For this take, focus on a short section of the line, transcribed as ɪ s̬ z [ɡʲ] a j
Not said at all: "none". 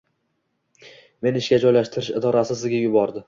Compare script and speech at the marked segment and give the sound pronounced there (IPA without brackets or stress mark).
ɡʲ